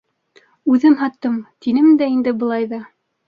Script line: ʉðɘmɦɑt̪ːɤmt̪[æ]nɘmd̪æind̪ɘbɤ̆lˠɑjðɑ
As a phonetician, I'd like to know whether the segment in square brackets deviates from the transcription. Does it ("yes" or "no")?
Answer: yes